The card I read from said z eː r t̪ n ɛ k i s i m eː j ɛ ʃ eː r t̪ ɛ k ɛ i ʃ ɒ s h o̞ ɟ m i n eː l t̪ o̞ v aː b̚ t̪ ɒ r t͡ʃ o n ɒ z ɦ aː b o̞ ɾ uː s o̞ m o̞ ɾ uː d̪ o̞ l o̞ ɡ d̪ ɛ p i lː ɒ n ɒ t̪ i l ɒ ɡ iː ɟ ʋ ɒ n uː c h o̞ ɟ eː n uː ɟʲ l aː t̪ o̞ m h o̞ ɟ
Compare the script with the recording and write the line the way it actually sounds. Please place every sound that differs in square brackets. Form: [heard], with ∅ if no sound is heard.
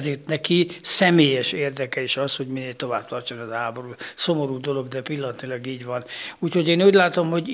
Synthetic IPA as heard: z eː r t̪ n ɛ k i s [ɛ] m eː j ɛ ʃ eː r [d̪] ɛ k ɛ i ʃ ɒ s h o̞ ɟ m i n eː l t̪ o̞ v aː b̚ t̪ ɒ r t͡ʃ o n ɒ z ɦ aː b o̞ ɾ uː s o̞ m o̞ ɾ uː d̪ o̞ l o̞ ɡ d̪ ɛ p i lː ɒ n ɒ t̪ i l ɒ ɡ iː ɟ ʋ ɒ n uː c h o̞ ɟ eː n uː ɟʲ l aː t̪ o̞ m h o̞ ɟ